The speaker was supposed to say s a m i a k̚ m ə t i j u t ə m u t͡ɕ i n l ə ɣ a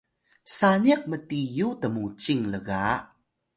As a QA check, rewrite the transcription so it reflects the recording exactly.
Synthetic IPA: s a n i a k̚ m ə t i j u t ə m u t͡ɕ i ŋ l ə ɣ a